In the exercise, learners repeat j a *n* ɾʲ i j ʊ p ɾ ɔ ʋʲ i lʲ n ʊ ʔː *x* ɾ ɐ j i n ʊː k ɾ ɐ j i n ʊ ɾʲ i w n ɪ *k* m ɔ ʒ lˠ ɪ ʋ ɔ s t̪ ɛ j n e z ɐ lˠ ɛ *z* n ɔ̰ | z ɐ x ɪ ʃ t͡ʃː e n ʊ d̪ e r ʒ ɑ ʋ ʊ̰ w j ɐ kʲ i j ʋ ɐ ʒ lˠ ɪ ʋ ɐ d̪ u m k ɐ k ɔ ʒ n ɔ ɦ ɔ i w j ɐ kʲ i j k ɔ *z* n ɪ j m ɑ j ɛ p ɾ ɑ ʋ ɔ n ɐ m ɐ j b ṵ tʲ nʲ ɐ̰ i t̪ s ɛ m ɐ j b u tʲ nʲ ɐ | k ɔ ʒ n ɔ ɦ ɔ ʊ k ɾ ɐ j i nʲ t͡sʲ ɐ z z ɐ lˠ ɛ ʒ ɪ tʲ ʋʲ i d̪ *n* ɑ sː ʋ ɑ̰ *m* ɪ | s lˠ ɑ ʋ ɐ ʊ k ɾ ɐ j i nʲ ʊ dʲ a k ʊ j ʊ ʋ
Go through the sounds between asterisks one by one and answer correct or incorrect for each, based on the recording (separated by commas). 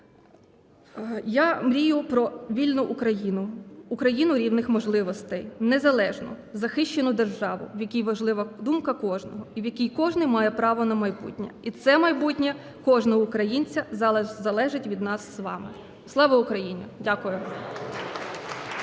incorrect, incorrect, incorrect, incorrect, incorrect, correct, correct